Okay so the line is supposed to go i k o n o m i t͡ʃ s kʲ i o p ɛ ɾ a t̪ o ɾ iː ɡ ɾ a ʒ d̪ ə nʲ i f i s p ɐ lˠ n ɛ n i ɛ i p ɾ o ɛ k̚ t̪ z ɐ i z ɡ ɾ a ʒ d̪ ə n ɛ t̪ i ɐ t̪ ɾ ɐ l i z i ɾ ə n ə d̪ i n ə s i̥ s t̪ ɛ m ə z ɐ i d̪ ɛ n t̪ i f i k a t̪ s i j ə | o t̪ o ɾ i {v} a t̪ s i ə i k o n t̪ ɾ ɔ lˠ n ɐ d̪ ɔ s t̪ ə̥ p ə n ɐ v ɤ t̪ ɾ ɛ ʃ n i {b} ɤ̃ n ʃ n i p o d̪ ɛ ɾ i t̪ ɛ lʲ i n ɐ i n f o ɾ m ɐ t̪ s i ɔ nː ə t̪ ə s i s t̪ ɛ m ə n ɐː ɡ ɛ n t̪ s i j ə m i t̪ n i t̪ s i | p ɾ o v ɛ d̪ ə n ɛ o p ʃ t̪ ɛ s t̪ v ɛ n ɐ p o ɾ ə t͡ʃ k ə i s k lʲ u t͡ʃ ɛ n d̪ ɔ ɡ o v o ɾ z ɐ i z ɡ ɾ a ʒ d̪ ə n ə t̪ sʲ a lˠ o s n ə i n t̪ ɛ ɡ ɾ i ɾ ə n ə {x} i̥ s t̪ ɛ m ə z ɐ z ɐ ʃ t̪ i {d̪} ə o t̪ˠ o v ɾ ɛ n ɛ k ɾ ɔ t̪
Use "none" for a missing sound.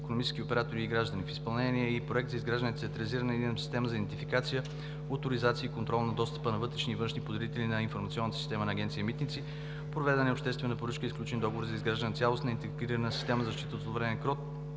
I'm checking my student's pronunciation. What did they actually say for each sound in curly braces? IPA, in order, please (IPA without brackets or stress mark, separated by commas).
z, v, s, t̪